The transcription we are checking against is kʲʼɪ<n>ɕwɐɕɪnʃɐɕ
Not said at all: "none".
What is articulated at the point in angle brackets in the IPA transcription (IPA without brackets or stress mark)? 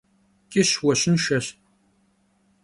none